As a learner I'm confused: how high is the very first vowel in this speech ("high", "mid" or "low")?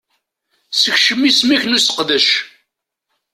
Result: mid